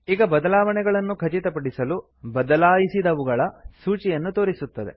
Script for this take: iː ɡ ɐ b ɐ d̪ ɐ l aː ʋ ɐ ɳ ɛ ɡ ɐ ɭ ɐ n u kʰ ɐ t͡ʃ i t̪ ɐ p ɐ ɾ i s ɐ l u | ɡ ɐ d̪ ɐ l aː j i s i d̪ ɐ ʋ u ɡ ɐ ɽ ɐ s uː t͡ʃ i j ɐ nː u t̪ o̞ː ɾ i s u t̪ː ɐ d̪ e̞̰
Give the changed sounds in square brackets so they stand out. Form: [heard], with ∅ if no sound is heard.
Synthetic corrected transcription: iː ɡ ɐ b ɐ d̪ ɐ l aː ʋ ɐ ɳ ɛ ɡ ɐ ɭ ɐ [nː] u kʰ ɐ t͡ʃ i t̪ ɐ p ɐ [ɽ] i s ɐ l u | [b] ɐ d̪ ɐ l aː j i s i d̪ ɐ ʋ u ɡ ɐ [ɭ] ɐ s uː t͡ʃ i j ɐ nː u t̪ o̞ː ɾ i s u t̪ː ɐ d̪ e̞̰